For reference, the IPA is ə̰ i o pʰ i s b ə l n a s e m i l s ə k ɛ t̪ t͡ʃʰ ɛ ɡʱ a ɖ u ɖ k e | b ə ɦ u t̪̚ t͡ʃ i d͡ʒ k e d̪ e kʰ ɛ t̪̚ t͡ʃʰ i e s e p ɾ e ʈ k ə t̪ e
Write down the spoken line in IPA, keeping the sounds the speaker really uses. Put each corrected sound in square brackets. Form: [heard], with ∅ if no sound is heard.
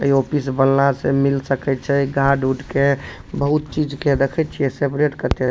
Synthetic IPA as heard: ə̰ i o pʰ i s b ə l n a s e m i l s ə k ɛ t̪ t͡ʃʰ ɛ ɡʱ a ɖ u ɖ k e | b ə ɦ u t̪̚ t͡ʃ i d͡ʒ k e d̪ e kʰ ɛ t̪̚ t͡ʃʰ i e s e p ɾ e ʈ k ə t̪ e